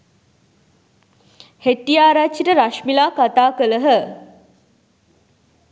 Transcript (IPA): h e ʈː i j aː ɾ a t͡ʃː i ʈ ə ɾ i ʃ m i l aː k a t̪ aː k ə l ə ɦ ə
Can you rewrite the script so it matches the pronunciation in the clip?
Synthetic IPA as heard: h e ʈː i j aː ɾ a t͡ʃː i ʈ ə ɾ a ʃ m i l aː k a t̪ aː k ə l ə ɦ ə